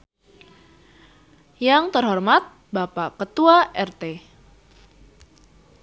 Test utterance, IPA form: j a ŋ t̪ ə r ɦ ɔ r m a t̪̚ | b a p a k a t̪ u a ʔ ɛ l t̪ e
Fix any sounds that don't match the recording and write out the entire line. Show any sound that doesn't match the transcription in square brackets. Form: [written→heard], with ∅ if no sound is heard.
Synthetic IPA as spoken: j a ŋ t̪ ə r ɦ ɔ r m a t̪̚ | b a p a k [a→ə] t̪ u a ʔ ɛ [l→r] t̪ e